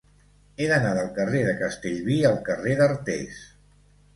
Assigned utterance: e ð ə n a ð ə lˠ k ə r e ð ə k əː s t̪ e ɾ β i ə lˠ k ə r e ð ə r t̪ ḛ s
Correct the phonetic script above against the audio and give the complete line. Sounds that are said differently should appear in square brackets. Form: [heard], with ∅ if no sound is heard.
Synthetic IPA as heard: e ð ə n a ð ə lˠ k ə r e ð ə k [ə] s t̪ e [ʎ] β i ə lˠ k ə r e ð ə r t̪ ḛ s